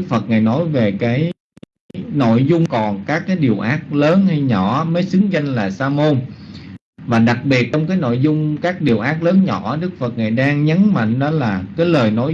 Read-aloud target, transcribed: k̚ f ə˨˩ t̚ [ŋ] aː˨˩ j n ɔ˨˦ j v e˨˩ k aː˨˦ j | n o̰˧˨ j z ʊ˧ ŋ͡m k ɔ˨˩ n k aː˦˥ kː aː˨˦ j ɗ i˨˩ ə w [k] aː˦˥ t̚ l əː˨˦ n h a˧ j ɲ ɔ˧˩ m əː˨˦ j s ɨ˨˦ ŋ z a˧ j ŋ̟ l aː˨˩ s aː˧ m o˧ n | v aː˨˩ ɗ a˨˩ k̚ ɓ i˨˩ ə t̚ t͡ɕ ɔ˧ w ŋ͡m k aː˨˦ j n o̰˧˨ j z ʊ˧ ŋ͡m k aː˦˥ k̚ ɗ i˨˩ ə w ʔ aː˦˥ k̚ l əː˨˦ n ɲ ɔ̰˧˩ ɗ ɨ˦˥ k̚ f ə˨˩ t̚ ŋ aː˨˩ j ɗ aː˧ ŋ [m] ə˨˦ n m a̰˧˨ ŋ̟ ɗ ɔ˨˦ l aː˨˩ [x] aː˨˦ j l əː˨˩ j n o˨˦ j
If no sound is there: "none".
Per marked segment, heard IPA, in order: ŋ, ʔ, ɲ, k

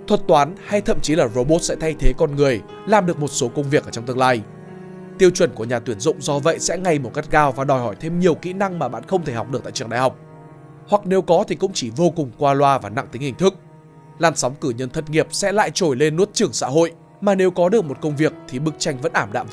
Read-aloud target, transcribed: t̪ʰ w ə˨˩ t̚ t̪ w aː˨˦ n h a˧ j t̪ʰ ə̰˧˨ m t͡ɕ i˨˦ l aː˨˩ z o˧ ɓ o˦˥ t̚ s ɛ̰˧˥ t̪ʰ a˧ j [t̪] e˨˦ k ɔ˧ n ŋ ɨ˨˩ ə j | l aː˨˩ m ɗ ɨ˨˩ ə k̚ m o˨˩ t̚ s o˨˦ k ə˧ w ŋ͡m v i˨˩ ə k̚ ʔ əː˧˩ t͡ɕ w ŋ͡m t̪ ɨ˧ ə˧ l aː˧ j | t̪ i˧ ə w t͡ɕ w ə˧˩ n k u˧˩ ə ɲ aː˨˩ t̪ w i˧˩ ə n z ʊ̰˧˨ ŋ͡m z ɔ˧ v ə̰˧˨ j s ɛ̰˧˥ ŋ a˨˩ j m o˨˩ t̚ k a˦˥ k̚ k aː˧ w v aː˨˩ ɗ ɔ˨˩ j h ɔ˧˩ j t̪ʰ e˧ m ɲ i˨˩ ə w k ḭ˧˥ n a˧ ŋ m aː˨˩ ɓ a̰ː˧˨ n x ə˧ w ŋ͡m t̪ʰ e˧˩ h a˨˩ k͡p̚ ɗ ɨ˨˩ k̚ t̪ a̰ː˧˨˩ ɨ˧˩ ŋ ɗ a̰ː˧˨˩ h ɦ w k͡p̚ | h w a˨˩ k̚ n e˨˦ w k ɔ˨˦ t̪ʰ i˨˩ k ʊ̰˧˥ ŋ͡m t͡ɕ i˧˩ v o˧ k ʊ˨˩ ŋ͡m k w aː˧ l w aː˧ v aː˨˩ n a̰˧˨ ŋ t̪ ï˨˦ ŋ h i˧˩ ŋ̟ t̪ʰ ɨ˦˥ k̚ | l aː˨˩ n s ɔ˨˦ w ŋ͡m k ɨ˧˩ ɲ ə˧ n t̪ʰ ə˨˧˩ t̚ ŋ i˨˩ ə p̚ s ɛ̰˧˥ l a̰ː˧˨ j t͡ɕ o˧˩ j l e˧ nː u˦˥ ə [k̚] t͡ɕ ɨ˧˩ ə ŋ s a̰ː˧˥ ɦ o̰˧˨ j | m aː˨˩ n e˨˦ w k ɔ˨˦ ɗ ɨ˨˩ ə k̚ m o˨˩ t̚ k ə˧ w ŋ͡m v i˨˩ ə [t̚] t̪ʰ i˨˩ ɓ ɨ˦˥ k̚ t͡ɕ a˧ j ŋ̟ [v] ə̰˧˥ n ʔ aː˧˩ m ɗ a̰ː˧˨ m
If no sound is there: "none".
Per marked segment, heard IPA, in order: t̪ʰ, t̚, k̚, v

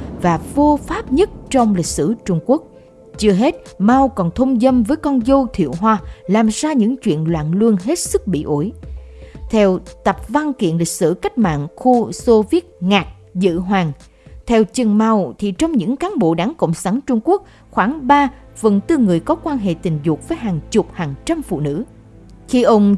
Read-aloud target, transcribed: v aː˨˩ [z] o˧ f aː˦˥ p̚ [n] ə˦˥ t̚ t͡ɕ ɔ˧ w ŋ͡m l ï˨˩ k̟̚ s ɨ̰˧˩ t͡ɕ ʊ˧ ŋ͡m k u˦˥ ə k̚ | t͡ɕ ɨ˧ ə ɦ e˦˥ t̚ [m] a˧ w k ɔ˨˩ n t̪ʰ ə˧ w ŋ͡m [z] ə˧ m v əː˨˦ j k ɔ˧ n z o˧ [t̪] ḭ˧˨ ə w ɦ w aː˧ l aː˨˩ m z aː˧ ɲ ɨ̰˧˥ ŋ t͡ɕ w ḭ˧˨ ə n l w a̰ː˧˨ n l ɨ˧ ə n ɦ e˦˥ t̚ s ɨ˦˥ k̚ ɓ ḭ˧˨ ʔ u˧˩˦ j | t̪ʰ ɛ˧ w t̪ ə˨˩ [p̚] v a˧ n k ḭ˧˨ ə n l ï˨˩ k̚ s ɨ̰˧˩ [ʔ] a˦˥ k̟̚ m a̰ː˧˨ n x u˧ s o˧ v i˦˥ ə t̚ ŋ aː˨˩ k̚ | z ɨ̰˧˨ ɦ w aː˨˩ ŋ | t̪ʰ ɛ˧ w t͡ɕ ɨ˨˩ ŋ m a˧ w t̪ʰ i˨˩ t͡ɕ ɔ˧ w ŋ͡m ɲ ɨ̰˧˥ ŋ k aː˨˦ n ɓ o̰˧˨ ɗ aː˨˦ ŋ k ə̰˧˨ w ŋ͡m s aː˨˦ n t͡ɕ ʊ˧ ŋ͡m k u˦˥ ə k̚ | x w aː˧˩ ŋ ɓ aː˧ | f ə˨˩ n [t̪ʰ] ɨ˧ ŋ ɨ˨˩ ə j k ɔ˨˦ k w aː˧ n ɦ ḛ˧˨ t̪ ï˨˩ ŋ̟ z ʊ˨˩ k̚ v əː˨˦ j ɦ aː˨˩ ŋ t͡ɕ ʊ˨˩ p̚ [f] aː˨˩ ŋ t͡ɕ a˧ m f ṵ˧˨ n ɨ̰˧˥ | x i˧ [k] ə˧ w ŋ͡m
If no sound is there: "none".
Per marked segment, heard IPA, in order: v, ɲ, m, z, t̪ʰ, p̚, k, t̪, h, ʔ

